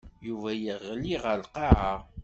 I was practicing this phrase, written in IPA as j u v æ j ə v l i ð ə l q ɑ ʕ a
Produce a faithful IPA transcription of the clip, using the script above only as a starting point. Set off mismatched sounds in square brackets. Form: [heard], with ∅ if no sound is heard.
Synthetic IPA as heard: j u v æ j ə [ʁ] l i [ʁ] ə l q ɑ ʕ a

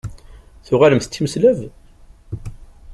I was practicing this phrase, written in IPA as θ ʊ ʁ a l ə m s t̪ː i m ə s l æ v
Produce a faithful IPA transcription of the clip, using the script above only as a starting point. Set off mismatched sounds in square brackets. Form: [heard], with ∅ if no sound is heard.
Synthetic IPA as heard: θ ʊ ʁ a l ə m [θ] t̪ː i m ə s l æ v

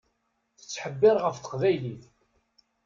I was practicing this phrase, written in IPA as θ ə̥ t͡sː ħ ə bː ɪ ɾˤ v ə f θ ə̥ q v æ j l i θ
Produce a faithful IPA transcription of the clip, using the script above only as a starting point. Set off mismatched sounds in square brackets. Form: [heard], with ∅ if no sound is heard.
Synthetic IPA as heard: θ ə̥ t͡sː ħ ə bː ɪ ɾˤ [ʁ] ə f θ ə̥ q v æ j l i θ

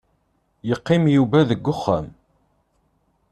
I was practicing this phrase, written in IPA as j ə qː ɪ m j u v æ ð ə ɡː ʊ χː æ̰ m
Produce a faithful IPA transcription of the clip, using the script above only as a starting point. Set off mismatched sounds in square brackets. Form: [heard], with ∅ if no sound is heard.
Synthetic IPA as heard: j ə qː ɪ m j u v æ ð ə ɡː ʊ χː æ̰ m

